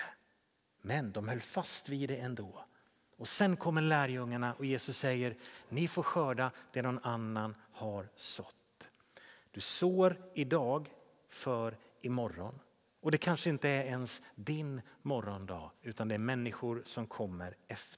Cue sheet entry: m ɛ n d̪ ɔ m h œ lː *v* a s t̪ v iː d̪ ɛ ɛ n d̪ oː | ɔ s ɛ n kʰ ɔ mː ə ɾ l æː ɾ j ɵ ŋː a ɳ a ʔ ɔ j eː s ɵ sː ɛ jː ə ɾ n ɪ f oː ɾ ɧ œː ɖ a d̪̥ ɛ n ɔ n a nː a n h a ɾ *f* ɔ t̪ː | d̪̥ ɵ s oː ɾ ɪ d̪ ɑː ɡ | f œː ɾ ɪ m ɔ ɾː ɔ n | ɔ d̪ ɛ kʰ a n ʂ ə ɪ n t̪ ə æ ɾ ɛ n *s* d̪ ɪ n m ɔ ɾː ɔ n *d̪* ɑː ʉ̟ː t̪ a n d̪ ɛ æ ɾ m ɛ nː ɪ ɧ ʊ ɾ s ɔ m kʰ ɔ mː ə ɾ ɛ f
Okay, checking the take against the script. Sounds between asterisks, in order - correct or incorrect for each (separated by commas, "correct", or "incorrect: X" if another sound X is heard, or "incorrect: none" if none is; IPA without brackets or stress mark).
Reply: incorrect: f, incorrect: s, correct, correct